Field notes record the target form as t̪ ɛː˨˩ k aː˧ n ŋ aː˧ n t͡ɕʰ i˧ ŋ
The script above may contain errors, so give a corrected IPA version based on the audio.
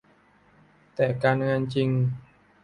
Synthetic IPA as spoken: t̪ ɛː˨˩ k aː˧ n ŋ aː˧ n t͡ɕ i˧ ŋ